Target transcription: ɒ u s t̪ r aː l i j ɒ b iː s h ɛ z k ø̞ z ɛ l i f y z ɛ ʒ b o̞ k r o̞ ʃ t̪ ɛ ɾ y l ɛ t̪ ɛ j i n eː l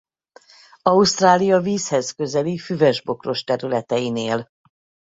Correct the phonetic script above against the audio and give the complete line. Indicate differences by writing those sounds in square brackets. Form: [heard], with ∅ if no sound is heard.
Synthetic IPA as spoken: ɒ u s t̪ r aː l i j ɒ [v] iː s h ɛ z k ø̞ z ɛ l i f y [v] ɛ ʒ b o̞ k r o̞ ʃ t̪ ɛ ɾ y l ɛ t̪ ɛ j i n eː l

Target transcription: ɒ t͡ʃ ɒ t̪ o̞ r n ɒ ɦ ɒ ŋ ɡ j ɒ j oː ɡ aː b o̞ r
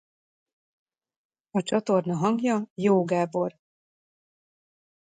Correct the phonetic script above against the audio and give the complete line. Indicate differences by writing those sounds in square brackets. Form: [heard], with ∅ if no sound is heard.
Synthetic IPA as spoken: ɒ t͡ʃ ɒ t̪ o̞ r n ɒ ɦ ɒ ŋ ɡ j ɒ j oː ɡ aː b o̞ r

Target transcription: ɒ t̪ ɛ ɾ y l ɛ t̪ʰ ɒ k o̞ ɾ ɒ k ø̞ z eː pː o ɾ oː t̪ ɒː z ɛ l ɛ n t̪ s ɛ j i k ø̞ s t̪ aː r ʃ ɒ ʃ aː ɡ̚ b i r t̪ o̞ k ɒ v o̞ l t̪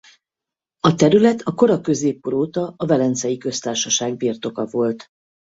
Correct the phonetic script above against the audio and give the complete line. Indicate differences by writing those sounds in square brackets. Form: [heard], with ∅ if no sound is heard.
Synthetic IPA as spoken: ɒ t̪ ɛ ɾ y l ɛ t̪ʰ ɒ k o̞ ɾ ɒ k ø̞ z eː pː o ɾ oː t̪ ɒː [v] ɛ l ɛ n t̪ s ɛ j i k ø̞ s t̪ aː r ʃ ɒ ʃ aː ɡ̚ b i r t̪ o̞ k ɒ v o̞ l t̪

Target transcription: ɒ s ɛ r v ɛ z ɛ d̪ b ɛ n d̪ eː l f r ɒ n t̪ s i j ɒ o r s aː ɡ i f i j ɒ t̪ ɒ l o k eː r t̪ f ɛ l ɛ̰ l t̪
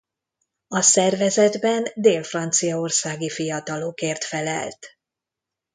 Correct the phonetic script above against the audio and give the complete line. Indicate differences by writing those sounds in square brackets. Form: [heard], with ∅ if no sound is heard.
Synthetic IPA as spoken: ɒ s ɛ r v ɛ z ɛ d̪ b ɛ n d̪ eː l f r ɒ n t̪ s i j ɒ o r s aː ɡ i f i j ɒ t̪ ɒ l o k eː r t̪ f ɛ l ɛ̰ l t̪

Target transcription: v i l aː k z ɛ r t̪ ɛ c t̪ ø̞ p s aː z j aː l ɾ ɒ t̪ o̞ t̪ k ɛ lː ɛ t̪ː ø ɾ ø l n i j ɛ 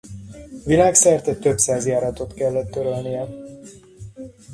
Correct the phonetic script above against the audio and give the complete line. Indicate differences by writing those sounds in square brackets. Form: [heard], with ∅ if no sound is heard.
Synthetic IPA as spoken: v i l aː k [s] ɛ r t̪ ɛ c t̪ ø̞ p s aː z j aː [∅] ɾ ɒ t̪ o̞ t̪ k ɛ lː ɛ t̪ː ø ɾ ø l n i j ɛ

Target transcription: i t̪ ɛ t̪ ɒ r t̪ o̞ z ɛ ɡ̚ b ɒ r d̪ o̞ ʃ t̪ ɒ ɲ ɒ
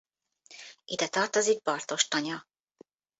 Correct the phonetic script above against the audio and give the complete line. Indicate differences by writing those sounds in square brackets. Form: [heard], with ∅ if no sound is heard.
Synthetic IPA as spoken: i [d̪] ɛ t̪ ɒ r t̪ o̞ z [i] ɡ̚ b ɒ r [t̪] o̞ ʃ t̪ ɒ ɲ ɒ

